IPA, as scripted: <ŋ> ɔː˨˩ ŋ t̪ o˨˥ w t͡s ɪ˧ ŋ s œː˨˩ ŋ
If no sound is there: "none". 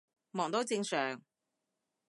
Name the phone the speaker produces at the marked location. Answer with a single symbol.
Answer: m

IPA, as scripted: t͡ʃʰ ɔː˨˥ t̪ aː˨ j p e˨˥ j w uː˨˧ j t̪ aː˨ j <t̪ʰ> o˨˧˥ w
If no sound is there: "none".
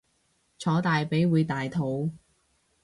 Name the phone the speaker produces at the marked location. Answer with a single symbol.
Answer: t̪ʰ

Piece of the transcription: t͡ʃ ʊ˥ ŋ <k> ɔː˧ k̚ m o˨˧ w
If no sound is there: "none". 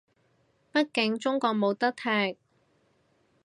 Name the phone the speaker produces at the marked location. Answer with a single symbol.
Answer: k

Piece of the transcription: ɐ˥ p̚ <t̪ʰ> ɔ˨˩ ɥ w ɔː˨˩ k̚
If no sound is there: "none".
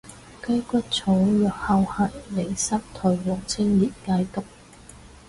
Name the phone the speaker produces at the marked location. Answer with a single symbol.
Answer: t̪ʰ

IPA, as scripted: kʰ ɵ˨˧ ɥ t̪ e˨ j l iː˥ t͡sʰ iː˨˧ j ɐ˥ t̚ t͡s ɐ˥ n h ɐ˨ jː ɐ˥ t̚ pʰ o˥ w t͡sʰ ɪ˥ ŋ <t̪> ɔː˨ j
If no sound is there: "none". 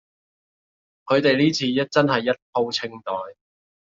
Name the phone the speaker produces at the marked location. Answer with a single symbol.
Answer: t̪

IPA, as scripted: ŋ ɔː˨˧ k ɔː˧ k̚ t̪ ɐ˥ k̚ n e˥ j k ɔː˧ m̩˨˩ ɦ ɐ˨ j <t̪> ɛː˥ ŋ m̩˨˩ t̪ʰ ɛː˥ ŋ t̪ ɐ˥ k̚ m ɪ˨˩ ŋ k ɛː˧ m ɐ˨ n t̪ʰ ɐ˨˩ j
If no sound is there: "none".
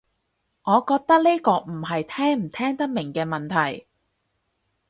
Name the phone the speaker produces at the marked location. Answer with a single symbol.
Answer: t̪ʰ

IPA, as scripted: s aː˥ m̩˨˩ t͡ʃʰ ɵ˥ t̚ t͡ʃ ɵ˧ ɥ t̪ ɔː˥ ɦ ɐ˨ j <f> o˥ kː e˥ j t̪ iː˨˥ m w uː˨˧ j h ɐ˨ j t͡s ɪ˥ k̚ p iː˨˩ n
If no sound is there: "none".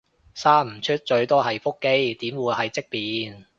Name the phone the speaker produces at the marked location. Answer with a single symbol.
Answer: f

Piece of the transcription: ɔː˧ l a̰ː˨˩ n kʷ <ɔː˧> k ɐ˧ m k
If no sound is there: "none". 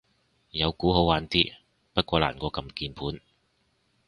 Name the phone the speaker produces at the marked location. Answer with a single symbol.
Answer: ɔː˧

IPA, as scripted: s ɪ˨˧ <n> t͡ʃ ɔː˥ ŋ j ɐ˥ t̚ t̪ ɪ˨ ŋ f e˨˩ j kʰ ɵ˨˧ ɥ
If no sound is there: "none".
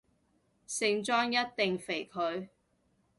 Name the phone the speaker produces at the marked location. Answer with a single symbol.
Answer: ŋ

